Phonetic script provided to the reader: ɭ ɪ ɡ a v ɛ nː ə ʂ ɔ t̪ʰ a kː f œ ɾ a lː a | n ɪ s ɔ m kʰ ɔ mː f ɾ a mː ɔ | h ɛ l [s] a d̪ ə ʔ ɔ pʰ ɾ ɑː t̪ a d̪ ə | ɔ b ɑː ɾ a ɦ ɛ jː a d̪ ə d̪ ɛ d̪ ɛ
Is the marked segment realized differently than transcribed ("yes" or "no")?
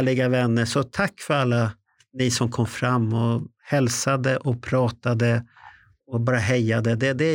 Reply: no